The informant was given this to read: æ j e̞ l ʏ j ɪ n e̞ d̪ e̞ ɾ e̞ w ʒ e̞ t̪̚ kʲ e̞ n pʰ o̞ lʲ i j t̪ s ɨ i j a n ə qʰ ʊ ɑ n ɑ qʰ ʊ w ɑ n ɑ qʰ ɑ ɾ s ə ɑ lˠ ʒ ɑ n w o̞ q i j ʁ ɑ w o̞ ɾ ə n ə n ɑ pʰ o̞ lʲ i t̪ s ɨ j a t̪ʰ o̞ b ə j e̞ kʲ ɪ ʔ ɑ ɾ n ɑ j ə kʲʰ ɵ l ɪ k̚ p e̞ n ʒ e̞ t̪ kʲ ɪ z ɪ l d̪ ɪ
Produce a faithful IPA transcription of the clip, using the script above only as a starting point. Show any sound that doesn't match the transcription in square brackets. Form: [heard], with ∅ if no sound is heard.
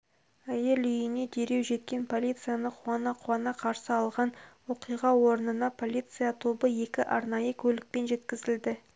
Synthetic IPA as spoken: æ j e̞ l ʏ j ɪ n e̞ d̪ e̞ ɾ e̞ w ʒ e̞ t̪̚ kʲ e̞ n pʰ o̞ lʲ i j t̪ s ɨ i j a n ə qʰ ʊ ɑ n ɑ qʰ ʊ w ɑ n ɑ qʰ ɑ ɾ s ə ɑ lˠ [ʁ] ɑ n w o̞ q i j ʁ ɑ w o̞ ɾ ə n ə n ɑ pʰ o̞ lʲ i t̪ s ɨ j a t̪ʰ o̞ b ə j e̞ kʲ ɪ ʔ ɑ ɾ n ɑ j ə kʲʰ ɵ l ɪ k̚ p e̞ n ʒ e̞ t̪ kʲ ɪ z ɪ l d̪ ɪ